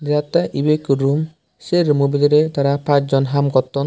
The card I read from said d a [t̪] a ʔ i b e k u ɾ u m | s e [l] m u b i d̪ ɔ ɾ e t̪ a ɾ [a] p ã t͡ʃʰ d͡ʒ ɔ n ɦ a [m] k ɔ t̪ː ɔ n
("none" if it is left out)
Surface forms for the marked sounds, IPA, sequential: t̪, ɾ, a, m

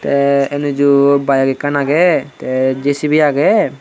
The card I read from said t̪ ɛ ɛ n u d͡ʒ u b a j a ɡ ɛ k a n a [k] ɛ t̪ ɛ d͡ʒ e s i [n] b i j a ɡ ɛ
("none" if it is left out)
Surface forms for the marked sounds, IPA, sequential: ɡ, none

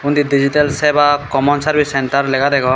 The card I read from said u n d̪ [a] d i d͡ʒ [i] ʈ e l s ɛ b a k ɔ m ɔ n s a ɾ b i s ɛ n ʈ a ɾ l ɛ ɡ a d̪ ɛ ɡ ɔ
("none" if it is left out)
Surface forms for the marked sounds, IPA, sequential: i, i

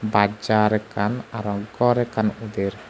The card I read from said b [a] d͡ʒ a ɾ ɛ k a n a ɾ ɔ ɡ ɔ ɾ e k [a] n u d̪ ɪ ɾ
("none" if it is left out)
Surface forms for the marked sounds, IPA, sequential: a, a

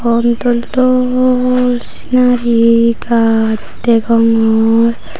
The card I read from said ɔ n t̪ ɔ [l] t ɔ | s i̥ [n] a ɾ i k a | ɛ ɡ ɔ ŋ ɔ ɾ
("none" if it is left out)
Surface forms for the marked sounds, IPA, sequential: l, n

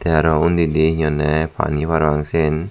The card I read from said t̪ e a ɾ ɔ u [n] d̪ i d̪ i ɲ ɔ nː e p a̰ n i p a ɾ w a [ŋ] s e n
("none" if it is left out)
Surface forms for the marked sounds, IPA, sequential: n, ŋ

